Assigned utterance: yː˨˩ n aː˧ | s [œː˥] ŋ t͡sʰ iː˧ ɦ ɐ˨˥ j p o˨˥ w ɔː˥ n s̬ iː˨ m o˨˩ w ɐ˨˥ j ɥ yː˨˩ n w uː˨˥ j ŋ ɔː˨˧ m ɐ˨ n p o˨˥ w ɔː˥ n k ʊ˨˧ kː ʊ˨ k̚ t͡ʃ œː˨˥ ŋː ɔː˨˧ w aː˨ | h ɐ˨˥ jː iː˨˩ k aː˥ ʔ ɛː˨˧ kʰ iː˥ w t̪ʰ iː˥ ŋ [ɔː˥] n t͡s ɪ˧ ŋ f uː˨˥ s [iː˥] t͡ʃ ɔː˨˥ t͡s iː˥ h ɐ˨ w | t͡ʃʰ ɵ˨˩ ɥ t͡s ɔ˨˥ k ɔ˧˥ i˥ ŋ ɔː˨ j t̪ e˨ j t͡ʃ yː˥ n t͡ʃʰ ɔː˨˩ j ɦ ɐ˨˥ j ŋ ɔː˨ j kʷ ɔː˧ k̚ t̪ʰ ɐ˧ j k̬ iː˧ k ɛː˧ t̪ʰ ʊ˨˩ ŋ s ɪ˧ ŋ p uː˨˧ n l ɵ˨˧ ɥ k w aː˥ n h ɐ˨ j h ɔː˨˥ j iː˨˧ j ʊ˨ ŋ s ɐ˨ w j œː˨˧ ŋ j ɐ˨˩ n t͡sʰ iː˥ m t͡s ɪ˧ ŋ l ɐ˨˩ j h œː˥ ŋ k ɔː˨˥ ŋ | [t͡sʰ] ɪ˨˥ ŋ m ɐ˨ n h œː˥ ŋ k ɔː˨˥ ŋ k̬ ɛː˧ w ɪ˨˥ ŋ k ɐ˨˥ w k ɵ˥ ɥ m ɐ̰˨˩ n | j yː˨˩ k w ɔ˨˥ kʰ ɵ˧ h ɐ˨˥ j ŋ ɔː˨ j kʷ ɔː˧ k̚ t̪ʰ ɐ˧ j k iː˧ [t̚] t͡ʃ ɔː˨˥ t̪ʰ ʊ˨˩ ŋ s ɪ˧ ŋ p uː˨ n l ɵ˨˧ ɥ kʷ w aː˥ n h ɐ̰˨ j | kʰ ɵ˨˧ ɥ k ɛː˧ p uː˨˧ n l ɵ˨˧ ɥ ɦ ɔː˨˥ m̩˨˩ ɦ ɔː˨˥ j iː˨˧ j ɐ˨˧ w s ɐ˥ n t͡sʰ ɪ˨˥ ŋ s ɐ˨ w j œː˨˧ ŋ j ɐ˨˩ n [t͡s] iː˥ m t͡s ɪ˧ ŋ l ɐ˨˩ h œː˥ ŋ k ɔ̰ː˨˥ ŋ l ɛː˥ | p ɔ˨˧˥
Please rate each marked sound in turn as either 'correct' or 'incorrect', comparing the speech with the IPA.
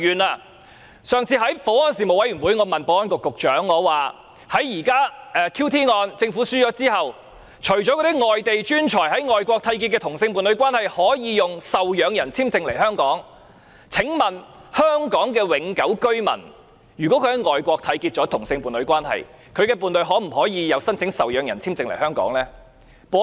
incorrect: œː˨˧, incorrect: ɔː˧, incorrect: yː˥, correct, correct, incorrect: t͡sʰ

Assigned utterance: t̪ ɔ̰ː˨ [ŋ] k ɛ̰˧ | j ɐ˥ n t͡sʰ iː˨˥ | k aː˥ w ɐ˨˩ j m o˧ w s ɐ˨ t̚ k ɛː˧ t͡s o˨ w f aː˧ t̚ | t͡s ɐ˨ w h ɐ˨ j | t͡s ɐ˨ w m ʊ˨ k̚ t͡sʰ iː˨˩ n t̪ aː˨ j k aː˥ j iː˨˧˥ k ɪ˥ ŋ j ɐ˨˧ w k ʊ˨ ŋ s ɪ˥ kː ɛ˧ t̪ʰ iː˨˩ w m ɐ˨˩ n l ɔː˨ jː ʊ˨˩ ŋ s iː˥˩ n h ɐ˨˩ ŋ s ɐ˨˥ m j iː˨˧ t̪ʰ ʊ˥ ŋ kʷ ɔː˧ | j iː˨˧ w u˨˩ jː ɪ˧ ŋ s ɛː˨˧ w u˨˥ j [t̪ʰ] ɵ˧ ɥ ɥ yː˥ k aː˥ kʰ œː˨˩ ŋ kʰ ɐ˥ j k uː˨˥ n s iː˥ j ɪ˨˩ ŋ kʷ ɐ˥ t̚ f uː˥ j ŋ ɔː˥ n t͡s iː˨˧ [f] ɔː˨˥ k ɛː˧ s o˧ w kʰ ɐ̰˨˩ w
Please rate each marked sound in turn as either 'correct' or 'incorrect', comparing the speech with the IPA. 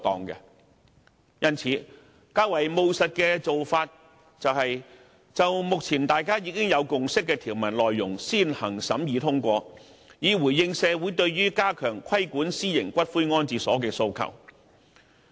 correct, incorrect: t̪, incorrect: s

